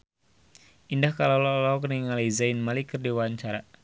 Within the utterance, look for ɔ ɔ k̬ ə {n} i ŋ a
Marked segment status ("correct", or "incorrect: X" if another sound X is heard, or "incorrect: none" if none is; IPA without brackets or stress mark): correct